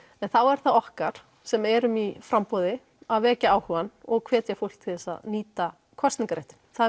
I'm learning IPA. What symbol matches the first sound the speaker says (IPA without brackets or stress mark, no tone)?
ɛ